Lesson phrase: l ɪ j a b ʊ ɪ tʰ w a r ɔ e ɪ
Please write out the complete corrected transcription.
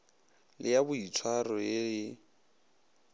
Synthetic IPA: l ɪ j a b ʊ i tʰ w a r ɔ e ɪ